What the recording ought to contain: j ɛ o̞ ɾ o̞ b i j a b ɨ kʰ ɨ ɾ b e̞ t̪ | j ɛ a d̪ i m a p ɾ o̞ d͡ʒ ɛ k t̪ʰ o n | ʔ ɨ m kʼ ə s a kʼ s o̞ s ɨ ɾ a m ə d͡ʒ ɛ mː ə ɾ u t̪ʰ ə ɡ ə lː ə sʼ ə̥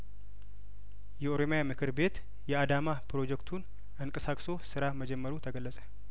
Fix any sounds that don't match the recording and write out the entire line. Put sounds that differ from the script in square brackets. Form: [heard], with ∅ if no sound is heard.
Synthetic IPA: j ɛ o̞ ɾ o̞ [m] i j a [m] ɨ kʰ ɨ ɾ b e̞ t̪ | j ɛ a d̪ [a] m a p ɾ o̞ d͡ʒ ɛ k t̪ʰ [u] n | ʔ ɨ [ŋ] kʼ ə s a kʼ s o̞ s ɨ ɾ a m ə d͡ʒ ɛ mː ə ɾ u t̪ʰ ə ɡ ə lː ə sʼ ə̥